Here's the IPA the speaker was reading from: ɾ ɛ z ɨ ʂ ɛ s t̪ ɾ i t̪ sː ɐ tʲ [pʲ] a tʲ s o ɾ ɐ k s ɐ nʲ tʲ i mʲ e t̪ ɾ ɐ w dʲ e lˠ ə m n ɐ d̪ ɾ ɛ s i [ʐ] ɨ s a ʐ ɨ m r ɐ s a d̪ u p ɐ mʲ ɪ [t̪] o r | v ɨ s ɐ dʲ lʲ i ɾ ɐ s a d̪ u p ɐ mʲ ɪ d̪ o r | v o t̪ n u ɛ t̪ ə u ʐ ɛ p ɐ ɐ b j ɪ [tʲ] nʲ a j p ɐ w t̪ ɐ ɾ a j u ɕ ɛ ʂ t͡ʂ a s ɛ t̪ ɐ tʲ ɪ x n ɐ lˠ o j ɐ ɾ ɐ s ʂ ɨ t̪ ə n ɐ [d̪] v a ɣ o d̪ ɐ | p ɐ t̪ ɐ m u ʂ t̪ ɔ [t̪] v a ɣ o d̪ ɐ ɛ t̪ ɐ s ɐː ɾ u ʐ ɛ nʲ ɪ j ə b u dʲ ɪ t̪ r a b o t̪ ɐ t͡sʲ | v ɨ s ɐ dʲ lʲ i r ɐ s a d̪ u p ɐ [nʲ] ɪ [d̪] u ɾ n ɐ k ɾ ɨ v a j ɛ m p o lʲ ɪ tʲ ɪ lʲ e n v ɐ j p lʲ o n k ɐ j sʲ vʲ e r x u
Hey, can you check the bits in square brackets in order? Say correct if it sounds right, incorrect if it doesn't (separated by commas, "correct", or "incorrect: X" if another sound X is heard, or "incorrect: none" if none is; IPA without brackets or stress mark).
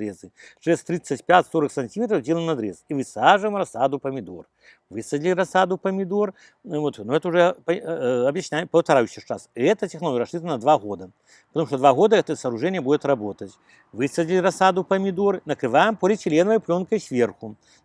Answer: correct, incorrect: v, incorrect: d̪, incorrect: sʲ, correct, incorrect: d̪, incorrect: mʲ, correct